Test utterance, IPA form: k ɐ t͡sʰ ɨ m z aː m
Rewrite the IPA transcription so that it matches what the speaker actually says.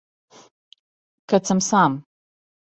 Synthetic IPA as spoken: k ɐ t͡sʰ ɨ m s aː m